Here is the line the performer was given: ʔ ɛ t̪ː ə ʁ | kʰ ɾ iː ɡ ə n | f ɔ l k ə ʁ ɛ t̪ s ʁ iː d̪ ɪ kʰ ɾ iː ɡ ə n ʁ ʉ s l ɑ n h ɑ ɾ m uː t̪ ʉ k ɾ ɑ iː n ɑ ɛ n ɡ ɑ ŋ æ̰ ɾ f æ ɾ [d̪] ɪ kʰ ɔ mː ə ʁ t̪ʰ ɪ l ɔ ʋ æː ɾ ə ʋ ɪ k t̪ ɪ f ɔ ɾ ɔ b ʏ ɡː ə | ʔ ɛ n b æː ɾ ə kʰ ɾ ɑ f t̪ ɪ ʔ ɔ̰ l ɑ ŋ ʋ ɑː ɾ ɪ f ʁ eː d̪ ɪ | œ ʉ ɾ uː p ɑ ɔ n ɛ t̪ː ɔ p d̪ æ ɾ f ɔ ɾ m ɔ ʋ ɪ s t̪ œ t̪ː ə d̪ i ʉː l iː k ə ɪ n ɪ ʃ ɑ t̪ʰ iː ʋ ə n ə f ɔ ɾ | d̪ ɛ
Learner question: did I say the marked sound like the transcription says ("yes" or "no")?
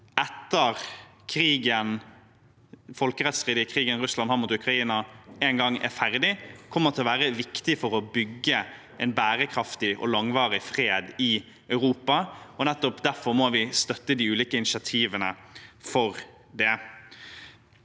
yes